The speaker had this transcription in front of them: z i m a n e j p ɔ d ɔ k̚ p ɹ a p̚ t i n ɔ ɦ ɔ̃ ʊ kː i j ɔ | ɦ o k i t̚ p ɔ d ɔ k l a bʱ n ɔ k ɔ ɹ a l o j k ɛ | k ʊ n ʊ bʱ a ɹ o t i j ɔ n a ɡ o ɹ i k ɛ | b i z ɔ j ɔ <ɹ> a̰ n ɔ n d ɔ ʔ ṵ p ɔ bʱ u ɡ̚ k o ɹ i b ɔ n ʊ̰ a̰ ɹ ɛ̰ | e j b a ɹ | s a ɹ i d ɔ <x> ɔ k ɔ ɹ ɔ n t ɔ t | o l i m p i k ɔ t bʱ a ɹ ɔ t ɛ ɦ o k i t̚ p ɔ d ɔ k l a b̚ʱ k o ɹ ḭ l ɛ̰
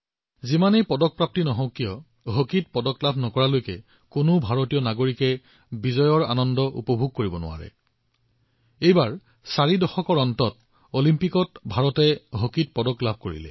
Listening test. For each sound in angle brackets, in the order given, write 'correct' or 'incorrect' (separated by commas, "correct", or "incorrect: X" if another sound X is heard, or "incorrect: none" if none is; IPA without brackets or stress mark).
correct, correct